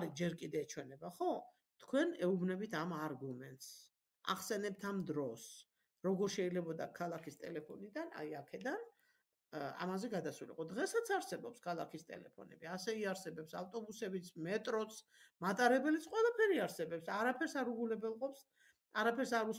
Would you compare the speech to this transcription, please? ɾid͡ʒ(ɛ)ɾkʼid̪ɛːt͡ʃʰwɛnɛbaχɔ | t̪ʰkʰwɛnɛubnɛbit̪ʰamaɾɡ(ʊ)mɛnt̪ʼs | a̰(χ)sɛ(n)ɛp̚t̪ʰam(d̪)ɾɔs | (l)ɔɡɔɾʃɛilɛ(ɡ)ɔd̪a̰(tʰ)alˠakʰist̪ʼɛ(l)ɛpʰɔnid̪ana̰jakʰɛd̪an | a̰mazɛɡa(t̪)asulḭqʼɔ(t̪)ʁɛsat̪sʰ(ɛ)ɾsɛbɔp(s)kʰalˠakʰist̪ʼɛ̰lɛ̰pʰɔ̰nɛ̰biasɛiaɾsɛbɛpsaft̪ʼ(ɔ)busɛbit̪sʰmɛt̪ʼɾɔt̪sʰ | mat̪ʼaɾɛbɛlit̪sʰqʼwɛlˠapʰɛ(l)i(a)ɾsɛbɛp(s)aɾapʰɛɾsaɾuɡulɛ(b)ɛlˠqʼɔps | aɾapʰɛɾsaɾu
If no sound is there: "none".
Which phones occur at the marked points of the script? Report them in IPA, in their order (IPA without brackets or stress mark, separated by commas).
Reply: ɛ, u, χ, n, d̪, ɾ, b, kʰ, l, d̪, d̪, a, s, ɔ, ɾ, a, s, b